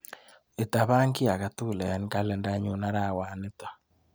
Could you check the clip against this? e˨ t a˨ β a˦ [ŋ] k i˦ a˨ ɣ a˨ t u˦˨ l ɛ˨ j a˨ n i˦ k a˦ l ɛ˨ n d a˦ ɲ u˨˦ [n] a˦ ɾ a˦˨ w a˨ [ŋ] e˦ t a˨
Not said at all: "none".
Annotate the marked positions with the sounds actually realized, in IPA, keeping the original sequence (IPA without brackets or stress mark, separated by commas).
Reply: ŋ, n, n